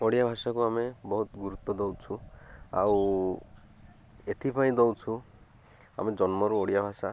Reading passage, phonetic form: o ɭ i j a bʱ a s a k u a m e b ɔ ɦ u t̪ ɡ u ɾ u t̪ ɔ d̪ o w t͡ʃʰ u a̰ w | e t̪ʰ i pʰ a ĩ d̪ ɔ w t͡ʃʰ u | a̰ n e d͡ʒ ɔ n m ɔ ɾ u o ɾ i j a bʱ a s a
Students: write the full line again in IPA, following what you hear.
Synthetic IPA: o ɽ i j a bʱ a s a k u a m e b ɔ ɦ u t̪ ɡ u ɾ u t̪ ɔ d̪ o w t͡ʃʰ u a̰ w | e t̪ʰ i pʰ a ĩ d̪ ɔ w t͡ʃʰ u | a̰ m e d͡ʒ ɔ n m ɔ ɾ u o ɽ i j a bʱ a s a

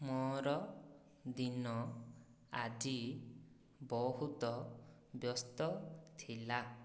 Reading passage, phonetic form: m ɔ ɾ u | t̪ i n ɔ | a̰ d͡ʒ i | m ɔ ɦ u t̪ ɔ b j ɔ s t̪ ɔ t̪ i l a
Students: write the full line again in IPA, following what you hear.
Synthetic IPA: m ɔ ɾ ɔ | d̪ i n ɔ | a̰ d͡ʒ i | b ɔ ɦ u t̪ ɔ b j ɔ s t̪ ɔ t̪ʰ i l a

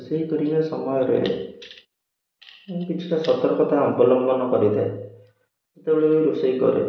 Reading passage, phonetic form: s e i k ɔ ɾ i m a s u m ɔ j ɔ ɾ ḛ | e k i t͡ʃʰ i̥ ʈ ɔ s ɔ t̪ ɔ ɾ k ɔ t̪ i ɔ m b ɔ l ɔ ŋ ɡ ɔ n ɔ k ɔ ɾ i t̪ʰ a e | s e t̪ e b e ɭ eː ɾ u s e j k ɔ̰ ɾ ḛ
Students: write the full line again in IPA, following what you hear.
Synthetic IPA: s e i k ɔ ɾ i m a s ɔ m ɔ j ɔ ɾ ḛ | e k i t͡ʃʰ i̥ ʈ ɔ s ɔ t̪ ɔ ɾ k ɔ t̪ a ɔ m b ɔ l ɔ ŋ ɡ ɔ n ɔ k ɔ ɾ i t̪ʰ a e | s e t̪ e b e ɭ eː ɾ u s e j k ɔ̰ ɾ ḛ

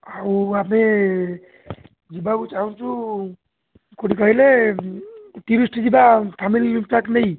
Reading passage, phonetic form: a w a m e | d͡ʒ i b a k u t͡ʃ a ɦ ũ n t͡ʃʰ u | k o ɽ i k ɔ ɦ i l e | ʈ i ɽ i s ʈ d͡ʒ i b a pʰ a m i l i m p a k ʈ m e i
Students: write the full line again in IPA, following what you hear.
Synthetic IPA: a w a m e | d͡ʒ i b a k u t͡ʃ a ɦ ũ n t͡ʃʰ u | k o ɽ i k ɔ ɦ i l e | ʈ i ɾ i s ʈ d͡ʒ i b a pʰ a m i l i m p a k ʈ n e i

